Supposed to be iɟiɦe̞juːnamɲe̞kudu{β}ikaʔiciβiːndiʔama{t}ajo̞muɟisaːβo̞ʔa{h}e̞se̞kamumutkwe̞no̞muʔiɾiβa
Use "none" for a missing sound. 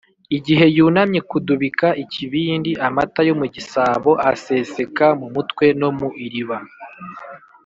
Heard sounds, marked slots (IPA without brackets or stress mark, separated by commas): β, t, s